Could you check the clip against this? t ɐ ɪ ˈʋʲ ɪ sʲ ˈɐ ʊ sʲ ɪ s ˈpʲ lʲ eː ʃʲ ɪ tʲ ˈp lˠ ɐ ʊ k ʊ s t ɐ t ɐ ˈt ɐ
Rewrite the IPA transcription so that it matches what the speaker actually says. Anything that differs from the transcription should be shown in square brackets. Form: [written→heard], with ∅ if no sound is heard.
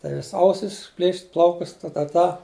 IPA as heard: t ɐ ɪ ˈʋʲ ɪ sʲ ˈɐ ʊ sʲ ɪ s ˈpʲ lʲ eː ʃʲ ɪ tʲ ˈp lˠ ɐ ʊ k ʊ s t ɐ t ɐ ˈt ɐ